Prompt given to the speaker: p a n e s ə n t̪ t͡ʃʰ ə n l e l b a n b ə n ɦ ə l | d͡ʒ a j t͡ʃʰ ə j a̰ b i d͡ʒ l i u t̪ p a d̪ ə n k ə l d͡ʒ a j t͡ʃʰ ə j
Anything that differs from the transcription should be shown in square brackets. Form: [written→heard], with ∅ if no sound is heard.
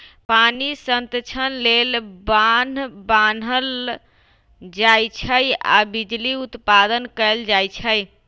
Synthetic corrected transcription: p a n [e→i] s ə n t̪ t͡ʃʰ ə n l e l b a n b [ə→a] n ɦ ə l | d͡ʒ a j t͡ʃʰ ə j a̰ b i d͡ʒ l i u t̪ p a d̪ ə n k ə l d͡ʒ a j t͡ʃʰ ə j

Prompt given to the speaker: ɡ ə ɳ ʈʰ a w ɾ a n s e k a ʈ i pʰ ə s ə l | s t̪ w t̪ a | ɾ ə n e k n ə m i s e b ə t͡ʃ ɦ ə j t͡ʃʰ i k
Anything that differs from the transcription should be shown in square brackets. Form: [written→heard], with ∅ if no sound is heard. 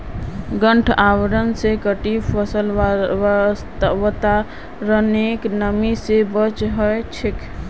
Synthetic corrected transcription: ɡ ə ɳ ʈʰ a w ɾ [a→ə] n s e k [a→ə] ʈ i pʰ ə s ə l | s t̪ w t̪ a | ɾ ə n e k n ə m i s e b ə t͡ʃ ɦ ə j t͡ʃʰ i k

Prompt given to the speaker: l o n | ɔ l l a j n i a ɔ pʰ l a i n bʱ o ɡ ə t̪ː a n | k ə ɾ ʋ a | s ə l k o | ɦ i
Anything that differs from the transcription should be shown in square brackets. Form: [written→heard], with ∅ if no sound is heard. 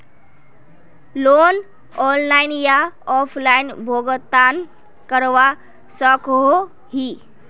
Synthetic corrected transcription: l o n | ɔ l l a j n [i→j] a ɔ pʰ l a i n bʱ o ɡ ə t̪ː a n | k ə ɾ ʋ a | s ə [l→∅] k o | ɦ i

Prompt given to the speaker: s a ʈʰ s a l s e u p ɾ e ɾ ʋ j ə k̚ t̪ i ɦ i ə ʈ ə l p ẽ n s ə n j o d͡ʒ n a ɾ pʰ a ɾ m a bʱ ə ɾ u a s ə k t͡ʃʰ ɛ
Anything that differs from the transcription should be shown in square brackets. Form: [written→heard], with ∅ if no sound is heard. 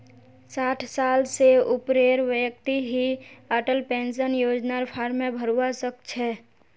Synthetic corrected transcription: s a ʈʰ s a l s e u p ɾ e ɾ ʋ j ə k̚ t̪ i ɦ i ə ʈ ə l p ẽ n s ə n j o d͡ʒ n a ɾ pʰ a ɾ m [a→e] bʱ ə ɾ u a s ə k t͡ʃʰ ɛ

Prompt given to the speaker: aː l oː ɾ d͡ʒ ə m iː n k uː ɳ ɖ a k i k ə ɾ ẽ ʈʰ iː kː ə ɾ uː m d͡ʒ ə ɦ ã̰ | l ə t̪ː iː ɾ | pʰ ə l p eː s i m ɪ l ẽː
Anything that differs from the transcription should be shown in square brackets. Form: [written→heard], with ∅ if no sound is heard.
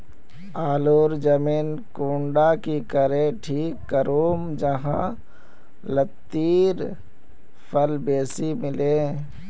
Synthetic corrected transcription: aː l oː ɾ d͡ʒ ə m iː n k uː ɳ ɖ a k i k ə ɾ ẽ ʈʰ iː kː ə ɾ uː m d͡ʒ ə ɦ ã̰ | l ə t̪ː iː ɾ | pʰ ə l [p→b] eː s i m ɪ l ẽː

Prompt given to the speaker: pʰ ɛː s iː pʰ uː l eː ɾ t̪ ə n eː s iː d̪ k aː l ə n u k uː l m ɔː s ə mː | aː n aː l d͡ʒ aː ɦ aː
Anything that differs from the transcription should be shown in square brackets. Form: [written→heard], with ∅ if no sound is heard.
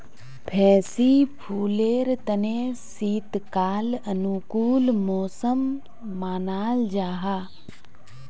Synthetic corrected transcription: pʰ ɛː s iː pʰ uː l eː ɾ t̪ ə n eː s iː [d̪→t̪] k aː l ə n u k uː l m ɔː s ə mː | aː n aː l d͡ʒ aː ɦ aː

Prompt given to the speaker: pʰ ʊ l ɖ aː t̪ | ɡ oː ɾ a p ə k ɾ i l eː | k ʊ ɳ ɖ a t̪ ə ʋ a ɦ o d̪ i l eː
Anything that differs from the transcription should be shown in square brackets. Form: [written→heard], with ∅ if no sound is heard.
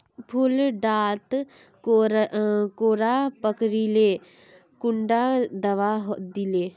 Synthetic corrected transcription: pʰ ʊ l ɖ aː t̪ | [ɡ→k] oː ɾ a p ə k ɾ i l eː | k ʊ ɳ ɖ a [t̪→d̪] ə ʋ a ɦ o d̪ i l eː

